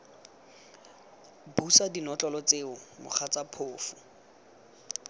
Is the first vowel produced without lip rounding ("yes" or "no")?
no